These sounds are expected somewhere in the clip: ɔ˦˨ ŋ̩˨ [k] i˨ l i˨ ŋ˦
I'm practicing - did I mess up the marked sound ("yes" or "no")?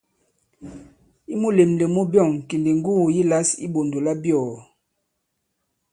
no